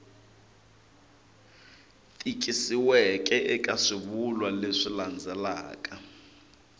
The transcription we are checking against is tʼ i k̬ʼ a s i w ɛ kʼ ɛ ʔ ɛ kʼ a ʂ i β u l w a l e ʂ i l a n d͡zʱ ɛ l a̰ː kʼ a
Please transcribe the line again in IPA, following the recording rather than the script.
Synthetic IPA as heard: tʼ i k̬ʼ i s i w ɛ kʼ ɛ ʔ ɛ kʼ a ʂ i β u l w a l e ʂ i l a n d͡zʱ ɛ l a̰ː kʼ a